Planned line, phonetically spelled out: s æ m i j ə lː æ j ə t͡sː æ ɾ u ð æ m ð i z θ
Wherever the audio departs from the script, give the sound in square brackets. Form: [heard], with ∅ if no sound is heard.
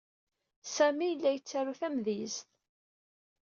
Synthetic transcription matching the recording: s æ m i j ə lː æ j ə t͡sː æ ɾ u [θ] æ m ð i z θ